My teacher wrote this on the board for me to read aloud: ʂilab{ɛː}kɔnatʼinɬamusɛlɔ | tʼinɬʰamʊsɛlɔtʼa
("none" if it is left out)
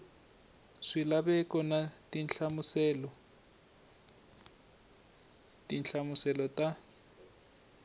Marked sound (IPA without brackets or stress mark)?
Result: ɛ